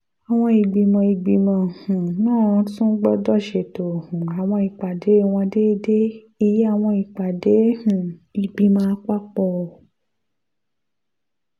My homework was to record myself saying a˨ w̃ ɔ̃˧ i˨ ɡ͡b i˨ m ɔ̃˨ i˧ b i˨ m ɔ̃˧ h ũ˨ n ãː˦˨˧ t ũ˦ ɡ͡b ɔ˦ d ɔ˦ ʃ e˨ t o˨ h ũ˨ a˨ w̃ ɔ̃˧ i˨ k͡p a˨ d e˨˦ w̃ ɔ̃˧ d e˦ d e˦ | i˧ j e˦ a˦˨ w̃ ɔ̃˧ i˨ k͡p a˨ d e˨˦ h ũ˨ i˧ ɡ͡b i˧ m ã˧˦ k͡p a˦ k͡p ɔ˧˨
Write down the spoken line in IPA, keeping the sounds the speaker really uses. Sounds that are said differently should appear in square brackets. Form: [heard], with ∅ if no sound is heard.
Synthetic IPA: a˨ w̃ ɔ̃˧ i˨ ɡ͡b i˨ m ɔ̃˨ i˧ [ɡ͡b] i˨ m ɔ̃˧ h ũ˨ n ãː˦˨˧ t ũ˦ ɡ͡b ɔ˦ d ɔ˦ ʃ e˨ t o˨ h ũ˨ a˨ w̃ ɔ̃˧ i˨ k͡p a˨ d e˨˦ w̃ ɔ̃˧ d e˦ d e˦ | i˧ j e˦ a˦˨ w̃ ɔ̃˧ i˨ k͡p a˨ d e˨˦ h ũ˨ i˧ ɡ͡b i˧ m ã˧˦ k͡p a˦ k͡p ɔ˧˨

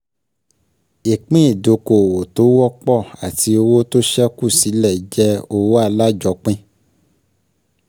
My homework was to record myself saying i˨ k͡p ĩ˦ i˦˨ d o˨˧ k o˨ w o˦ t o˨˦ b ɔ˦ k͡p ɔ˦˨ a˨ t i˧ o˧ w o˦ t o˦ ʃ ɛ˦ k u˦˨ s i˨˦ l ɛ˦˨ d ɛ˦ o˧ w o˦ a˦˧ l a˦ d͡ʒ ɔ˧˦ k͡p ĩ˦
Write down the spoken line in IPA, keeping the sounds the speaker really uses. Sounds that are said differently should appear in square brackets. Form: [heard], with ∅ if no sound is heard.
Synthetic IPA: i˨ k͡p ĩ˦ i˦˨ d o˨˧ k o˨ w [o˨] t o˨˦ [w] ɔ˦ k͡p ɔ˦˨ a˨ t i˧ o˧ w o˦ t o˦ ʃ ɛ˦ k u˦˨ s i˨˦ l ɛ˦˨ [d͡ʒ] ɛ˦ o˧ w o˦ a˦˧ l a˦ d͡ʒ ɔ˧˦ k͡p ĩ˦

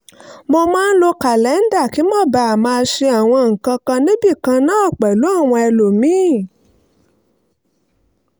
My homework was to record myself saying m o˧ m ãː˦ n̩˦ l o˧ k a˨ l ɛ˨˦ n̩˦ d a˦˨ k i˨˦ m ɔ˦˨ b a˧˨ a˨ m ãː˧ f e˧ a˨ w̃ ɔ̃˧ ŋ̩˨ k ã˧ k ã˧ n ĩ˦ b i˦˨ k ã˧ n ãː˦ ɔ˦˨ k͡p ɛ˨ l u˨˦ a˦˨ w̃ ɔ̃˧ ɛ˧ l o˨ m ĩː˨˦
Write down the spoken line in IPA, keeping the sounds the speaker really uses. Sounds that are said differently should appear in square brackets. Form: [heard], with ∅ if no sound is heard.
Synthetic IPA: m o˧ m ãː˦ n̩˦ l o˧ k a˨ l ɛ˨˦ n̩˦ d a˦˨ k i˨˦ m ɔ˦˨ b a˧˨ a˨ m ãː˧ [ʃ] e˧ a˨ w̃ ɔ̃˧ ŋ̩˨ k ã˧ k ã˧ n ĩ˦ b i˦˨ k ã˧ n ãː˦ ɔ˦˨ k͡p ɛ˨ l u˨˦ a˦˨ w̃ ɔ̃˧ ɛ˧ l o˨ m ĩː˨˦

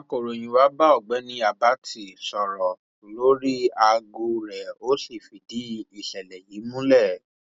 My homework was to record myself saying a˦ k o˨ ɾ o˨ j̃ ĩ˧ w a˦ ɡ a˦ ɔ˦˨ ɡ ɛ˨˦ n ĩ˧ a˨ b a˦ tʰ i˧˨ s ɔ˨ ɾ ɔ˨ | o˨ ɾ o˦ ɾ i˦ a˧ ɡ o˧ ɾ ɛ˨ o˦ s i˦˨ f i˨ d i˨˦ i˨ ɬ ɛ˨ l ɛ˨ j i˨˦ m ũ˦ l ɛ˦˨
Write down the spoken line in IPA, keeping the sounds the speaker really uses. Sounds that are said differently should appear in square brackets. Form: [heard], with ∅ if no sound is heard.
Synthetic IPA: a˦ k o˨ ɾ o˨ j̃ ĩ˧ w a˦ [b] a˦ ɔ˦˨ [ɡ͡b] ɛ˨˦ n ĩ˧ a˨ b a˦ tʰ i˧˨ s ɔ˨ ɾ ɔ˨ | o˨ [l] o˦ ɾ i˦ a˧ ɡ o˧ ɾ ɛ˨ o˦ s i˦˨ f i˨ d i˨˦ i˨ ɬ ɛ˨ l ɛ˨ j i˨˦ m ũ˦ l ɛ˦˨

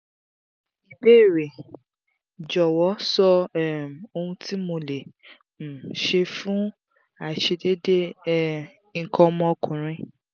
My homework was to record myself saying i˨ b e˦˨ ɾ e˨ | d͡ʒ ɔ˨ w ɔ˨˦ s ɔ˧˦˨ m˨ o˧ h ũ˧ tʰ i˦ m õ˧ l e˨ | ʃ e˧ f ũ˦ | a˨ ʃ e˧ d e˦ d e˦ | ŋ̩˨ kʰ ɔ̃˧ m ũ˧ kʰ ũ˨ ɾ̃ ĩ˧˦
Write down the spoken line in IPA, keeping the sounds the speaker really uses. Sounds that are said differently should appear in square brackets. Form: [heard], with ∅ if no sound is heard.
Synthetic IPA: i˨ b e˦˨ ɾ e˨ | d͡ʒ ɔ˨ w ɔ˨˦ s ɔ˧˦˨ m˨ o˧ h ũ˧ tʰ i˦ m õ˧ l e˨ | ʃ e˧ f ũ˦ | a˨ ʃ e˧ d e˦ d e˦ | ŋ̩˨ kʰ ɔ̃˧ m [ɔ̃˧] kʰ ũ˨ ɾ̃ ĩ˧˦

